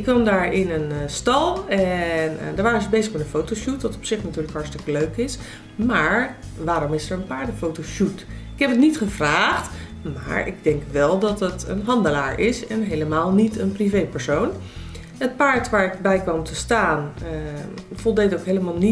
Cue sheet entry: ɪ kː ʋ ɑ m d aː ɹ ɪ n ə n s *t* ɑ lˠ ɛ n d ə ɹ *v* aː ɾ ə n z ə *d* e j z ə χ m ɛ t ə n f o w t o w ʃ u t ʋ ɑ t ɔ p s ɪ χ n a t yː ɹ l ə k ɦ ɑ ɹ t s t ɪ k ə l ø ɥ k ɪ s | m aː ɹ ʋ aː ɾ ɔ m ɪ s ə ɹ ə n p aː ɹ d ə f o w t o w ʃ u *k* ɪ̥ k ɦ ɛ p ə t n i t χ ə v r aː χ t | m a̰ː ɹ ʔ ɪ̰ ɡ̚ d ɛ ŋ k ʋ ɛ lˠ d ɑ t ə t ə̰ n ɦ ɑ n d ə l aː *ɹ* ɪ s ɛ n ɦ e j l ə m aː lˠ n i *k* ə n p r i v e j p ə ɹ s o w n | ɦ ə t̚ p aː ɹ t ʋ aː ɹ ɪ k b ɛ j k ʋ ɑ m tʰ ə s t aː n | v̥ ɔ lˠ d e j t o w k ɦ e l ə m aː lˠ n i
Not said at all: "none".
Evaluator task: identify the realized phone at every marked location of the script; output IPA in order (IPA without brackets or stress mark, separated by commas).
t, ʋ, b, t, ɹ, t